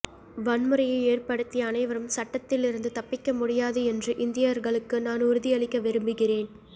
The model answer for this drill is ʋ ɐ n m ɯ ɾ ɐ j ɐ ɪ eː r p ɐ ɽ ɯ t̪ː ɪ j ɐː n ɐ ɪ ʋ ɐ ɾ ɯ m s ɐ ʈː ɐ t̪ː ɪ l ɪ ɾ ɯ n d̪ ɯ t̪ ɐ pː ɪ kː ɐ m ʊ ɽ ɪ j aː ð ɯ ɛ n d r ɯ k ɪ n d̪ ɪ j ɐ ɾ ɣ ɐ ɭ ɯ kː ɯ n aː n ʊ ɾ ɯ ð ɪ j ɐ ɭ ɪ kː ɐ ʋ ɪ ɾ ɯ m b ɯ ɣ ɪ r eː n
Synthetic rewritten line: ʋ ɐ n m ɯ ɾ ɐ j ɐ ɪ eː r p ɐ ɽ ɯ t̪ː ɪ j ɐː n ɐ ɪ ʋ ɐ ɾ ɯ m s ɐ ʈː ɐ t̪ː ɪ l ɪ ɾ ɯ n d̪ ɯ t̪ ɐ pː ɪ kː ɐ m ʊ ɽ ɪ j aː ð ɯ ɛ n d r ɯ ʔ ɪ n d̪ ɪ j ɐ ɾ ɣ ɐ ɭ ɯ kː ɯ n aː n ʊ ɾ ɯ ð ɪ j ɐ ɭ ɪ kː ɐ ʋ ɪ ɾ ɯ m b ɯ ɣ ɪ r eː n